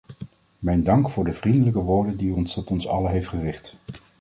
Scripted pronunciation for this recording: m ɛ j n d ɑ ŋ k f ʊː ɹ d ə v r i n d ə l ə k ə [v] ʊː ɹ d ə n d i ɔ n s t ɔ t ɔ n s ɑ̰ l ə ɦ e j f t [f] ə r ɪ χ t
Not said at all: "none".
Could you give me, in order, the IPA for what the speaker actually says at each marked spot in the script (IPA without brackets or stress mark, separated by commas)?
ʋ, χ